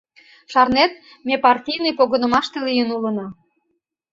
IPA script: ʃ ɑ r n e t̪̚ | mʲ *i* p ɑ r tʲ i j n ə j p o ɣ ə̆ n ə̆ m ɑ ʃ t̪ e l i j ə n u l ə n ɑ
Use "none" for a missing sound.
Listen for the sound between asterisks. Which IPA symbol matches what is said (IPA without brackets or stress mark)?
e